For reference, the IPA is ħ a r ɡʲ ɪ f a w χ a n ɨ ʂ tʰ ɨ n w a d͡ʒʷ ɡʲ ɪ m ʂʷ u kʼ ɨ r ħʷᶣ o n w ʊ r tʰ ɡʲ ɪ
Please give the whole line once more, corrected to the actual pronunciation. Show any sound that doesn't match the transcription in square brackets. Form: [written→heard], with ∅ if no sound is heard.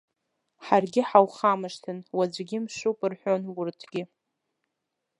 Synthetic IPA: ħ a r ɡʲ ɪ [f→ħ] a w χ a [n→m] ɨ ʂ tʰ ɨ n w a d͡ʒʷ ɡʲ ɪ m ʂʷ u [kʼ→pʼ] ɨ r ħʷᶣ o n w ʊ r tʰ ɡʲ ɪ